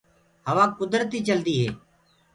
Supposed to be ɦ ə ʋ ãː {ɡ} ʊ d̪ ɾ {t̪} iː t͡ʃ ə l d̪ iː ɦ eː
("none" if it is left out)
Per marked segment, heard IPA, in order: k, t̪

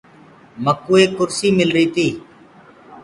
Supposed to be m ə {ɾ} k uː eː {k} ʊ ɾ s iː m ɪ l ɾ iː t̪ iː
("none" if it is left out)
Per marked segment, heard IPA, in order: none, k

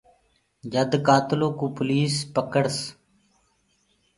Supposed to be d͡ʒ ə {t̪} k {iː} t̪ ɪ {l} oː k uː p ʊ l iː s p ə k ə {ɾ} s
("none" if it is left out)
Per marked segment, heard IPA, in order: d̪, aː, l, ɽ

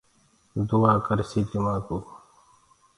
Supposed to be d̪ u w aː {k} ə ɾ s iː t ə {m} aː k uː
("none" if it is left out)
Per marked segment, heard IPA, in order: k, m

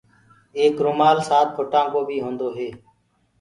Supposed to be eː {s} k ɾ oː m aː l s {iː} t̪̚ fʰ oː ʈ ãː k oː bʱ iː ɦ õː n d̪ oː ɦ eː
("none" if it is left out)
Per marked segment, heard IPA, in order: none, aː

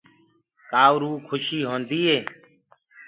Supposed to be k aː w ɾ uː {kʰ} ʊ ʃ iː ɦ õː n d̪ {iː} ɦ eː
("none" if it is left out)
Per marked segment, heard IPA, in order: kʰ, iː

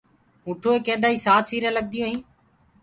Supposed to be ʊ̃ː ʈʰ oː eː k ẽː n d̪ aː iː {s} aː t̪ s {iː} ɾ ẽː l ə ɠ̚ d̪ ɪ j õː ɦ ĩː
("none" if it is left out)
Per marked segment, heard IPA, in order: s, iː

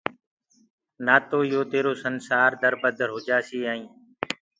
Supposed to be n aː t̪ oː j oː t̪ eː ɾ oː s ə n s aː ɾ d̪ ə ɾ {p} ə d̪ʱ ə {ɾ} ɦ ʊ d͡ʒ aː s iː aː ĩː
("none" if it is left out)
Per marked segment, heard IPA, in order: b, ɾ

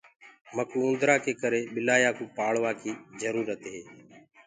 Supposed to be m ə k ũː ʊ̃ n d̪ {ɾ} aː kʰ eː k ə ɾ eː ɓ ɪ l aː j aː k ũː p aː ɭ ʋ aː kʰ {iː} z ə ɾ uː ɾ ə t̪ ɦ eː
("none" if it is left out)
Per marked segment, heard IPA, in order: ɾ, iː

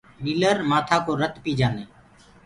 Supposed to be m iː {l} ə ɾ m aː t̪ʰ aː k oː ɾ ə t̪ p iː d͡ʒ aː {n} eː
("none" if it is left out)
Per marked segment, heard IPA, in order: l, n

